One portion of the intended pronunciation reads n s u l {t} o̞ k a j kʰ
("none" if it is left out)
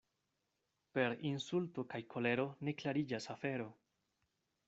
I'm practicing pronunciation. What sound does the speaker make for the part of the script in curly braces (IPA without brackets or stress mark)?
t